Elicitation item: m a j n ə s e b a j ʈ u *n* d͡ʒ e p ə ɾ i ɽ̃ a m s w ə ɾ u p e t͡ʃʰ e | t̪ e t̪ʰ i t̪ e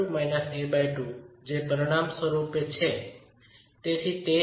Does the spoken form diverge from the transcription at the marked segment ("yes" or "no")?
yes